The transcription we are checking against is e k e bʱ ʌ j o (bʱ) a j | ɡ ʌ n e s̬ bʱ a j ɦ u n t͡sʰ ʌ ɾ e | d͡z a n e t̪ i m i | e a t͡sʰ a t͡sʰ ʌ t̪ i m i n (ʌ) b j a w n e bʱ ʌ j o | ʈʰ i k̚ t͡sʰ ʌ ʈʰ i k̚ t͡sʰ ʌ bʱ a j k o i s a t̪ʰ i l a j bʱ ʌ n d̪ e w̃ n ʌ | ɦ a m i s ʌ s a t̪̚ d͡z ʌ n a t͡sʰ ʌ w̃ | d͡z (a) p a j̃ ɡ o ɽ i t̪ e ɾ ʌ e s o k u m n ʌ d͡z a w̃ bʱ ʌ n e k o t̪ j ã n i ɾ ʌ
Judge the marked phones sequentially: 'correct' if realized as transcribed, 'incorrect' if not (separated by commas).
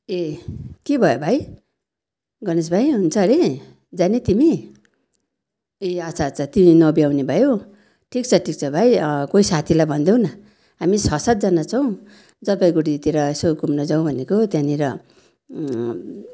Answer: correct, correct, incorrect